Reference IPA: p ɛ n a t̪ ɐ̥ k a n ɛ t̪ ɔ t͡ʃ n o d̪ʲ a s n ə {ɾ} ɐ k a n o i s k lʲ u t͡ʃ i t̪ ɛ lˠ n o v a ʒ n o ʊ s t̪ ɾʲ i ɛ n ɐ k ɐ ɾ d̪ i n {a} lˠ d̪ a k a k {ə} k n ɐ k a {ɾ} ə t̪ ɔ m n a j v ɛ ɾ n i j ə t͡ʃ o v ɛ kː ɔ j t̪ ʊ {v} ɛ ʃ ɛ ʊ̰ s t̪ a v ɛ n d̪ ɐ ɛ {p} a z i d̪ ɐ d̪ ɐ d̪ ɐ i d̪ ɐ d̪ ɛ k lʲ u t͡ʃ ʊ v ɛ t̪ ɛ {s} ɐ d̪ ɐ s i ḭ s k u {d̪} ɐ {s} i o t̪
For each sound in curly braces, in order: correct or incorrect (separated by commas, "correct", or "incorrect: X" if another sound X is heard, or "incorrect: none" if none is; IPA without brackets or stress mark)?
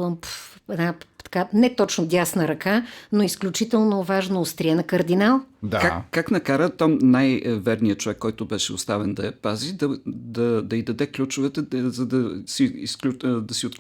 correct, correct, incorrect: a, correct, incorrect: b, correct, incorrect: z, correct, correct